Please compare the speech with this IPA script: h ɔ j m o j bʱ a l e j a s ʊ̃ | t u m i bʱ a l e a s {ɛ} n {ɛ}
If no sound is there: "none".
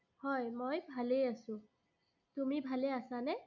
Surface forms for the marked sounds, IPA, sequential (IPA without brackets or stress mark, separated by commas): a, ɛ